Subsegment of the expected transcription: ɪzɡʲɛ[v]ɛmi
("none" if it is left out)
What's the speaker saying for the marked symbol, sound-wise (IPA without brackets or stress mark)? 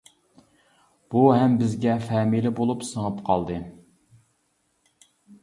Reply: f